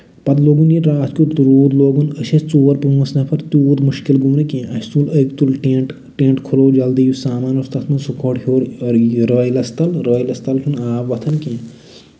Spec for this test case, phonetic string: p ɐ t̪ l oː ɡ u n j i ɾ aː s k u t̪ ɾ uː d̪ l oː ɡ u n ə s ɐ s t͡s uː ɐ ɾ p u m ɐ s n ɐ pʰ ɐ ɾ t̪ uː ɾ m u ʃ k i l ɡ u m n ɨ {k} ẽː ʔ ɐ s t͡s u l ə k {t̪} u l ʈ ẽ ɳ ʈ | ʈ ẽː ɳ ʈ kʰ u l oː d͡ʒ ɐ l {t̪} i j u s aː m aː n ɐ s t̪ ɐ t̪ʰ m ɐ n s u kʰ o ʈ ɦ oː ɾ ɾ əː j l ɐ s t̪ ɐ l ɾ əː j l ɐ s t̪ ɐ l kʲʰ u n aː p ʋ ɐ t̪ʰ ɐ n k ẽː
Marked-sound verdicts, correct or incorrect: correct, correct, incorrect: d̪

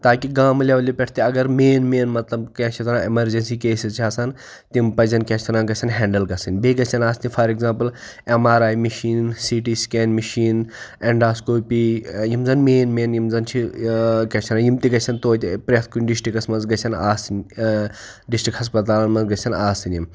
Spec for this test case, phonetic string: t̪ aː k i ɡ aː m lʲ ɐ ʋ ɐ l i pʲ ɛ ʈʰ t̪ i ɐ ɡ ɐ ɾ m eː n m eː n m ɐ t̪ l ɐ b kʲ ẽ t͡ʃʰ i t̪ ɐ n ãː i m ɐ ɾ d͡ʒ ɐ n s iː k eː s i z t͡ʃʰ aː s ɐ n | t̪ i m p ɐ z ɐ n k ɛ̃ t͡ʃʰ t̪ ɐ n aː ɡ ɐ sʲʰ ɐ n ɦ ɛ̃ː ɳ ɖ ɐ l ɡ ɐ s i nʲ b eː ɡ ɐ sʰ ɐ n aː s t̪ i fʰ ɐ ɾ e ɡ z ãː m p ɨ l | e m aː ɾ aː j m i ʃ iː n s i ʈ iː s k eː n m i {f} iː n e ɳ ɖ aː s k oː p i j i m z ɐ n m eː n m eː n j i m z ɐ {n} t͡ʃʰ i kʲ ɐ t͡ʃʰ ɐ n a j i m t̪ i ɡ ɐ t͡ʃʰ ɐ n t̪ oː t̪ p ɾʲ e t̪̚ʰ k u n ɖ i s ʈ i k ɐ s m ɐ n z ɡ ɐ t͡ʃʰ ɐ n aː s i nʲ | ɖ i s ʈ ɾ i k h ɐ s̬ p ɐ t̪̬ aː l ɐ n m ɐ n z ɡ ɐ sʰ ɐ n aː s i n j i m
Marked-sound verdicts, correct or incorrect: incorrect: ʃ, correct

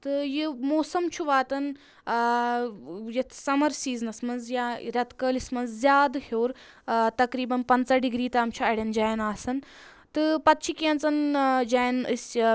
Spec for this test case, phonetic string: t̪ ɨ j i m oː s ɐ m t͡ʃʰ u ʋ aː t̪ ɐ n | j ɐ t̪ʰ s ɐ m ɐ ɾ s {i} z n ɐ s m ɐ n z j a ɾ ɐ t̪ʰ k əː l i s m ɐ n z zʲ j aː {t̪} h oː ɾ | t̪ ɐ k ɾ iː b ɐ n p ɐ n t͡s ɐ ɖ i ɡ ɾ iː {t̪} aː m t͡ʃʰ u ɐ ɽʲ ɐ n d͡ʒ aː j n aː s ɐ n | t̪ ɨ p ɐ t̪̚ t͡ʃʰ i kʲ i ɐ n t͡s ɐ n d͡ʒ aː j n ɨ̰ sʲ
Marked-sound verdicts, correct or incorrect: incorrect: iː, incorrect: d̪, correct

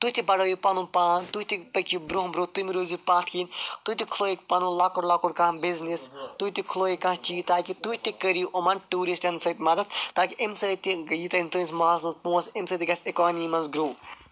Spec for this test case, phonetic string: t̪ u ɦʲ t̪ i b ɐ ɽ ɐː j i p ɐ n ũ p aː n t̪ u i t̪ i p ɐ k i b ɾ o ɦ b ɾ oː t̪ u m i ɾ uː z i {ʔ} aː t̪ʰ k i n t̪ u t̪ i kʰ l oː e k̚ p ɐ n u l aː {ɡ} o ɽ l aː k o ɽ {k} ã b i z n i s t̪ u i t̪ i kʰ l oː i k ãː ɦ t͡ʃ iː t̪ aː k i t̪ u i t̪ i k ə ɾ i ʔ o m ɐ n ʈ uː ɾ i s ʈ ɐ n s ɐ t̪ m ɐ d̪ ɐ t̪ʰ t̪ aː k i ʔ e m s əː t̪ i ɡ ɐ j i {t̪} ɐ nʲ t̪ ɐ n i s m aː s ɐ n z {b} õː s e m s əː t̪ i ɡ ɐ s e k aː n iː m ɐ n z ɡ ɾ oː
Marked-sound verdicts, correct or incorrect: incorrect: p, incorrect: k, correct, correct, incorrect: p

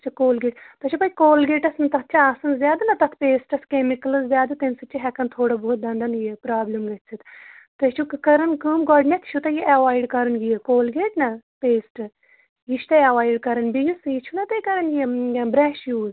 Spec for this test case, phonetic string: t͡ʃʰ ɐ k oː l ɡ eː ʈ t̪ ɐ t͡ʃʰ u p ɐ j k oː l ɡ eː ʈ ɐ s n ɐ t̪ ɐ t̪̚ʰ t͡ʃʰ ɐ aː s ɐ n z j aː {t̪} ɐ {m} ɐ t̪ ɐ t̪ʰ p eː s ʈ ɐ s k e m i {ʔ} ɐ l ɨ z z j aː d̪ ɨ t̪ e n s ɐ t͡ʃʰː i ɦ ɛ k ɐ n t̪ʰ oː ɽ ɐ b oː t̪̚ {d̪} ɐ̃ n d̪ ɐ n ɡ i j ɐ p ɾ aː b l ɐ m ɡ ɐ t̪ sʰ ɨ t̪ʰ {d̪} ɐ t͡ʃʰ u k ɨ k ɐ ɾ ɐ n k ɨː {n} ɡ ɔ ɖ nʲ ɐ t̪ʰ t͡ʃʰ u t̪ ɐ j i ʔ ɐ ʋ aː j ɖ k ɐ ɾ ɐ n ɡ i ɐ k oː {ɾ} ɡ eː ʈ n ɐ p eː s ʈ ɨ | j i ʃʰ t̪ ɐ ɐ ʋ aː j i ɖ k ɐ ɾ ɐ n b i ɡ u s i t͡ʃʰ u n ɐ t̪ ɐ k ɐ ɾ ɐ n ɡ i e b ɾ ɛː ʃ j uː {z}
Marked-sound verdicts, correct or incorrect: incorrect: d̪, incorrect: n, incorrect: k, correct, incorrect: t̪, incorrect: m, incorrect: l, correct

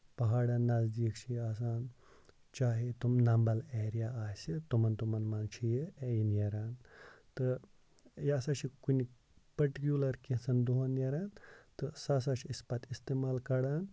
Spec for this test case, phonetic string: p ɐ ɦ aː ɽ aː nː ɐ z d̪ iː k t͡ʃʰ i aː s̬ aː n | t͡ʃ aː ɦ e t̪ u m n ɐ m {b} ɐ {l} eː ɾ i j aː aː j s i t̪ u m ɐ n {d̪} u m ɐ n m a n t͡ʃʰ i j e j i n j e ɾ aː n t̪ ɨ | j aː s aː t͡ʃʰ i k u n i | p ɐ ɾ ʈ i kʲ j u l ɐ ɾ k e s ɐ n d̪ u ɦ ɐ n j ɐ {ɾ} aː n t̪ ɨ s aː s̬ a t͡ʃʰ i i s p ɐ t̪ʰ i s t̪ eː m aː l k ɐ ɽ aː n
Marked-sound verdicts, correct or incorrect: correct, correct, incorrect: t̪, correct

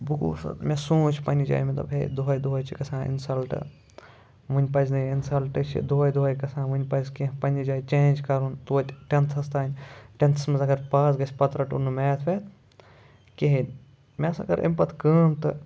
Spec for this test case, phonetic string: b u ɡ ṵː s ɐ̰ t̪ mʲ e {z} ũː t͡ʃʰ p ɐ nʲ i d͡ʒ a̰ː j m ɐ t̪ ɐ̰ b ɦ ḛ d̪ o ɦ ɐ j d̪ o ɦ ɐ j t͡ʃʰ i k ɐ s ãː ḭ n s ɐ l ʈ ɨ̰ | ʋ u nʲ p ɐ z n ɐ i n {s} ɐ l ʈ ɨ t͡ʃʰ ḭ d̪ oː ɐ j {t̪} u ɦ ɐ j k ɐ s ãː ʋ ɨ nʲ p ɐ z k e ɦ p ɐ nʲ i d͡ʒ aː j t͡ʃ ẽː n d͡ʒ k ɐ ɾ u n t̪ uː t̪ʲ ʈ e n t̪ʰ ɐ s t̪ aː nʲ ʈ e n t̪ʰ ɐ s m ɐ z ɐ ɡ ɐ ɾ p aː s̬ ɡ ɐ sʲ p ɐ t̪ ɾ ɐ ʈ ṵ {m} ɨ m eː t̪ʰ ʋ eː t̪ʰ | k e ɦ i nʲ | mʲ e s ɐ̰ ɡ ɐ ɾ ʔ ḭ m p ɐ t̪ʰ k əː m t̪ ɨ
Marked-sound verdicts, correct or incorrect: incorrect: s, correct, incorrect: d̪, incorrect: n

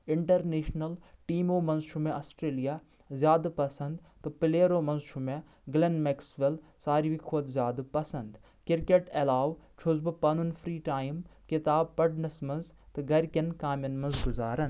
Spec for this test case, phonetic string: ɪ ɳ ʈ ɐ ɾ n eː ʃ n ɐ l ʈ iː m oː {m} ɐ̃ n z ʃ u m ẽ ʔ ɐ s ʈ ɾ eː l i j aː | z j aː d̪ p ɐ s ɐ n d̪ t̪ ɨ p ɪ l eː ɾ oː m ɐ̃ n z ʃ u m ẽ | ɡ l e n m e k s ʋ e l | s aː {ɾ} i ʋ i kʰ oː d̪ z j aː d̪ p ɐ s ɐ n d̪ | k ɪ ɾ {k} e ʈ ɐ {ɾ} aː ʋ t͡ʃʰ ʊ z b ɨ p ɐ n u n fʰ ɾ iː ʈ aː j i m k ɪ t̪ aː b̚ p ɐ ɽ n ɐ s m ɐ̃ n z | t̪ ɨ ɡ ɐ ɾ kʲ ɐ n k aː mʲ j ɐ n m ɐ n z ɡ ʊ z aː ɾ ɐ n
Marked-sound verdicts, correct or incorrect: correct, correct, correct, incorrect: l

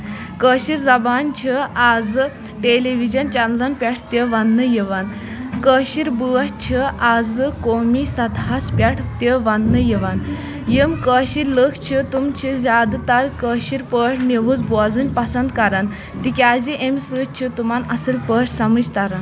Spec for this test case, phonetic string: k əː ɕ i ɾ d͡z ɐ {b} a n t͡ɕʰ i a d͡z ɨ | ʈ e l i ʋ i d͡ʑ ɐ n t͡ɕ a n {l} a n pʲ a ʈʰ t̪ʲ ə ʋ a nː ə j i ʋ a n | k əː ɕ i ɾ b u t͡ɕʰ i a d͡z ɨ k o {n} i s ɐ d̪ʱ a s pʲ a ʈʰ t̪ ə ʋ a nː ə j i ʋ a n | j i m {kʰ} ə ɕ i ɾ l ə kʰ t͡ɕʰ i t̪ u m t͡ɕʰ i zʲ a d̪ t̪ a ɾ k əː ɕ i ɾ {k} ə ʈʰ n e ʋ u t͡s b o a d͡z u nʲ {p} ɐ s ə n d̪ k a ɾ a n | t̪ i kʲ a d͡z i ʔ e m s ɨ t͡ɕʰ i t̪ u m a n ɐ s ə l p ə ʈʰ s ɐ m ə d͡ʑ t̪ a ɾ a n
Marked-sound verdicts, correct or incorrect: correct, correct, incorrect: m, incorrect: k, incorrect: p, correct

